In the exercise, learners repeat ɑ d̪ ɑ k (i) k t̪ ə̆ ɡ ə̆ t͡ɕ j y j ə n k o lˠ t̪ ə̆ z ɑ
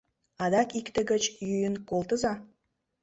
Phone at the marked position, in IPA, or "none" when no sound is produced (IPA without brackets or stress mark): i